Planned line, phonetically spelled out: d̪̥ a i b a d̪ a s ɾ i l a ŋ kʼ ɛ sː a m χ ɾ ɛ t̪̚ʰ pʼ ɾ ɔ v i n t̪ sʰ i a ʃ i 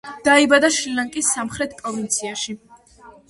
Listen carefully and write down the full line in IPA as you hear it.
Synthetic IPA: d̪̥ a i b a d̪ a ʃ ɾ i l a ŋ kʼ i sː a m χ ɾ ɛ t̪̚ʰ pʼ ɾ ɔ v i n t̪ sʰ i a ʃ i